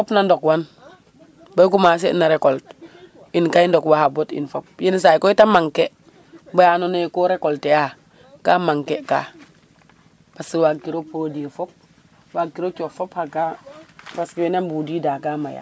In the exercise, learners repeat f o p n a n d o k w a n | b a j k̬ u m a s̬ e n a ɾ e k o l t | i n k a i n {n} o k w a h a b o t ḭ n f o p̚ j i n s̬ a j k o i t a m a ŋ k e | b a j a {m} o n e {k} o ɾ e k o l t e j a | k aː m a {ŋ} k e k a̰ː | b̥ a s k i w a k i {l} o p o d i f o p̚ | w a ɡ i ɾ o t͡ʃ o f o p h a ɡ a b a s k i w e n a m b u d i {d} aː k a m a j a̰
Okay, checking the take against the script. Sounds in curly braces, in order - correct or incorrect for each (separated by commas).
incorrect, incorrect, correct, correct, incorrect, correct